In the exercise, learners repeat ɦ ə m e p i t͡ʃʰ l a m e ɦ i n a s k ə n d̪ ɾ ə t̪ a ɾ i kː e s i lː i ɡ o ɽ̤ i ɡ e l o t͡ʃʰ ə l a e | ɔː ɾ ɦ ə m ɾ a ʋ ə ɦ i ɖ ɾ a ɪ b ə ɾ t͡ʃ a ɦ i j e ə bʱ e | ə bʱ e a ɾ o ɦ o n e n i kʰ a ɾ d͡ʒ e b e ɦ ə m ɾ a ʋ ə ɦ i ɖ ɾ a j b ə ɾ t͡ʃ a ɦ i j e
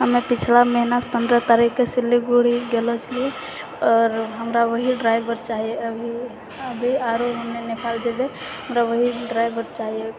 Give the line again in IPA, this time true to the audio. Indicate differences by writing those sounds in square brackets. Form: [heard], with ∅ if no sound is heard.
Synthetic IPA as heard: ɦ ə m e p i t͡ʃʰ l a m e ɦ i n a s [p] ə n d̪ ɾ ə t̪ a ɾ i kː e s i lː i ɡ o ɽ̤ i ɡ e l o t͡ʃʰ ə l [i] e | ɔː ɾ ɦ ə m ɾ a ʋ ə ɦ i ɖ ɾ a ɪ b ə ɾ t͡ʃ a ɦ i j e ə bʱ [i] | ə bʱ [i] a ɾ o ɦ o n e n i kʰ a [l] d͡ʒ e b e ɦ ə m ɾ a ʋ ə ɦ i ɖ ɾ a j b ə ɾ t͡ʃ a ɦ i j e